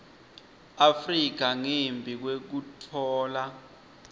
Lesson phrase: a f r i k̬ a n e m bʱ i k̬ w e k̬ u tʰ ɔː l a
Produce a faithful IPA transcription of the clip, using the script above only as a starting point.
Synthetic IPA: a f r i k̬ a ŋ e m bʱ i k̬ w e k̬ u tʰ ɔː l a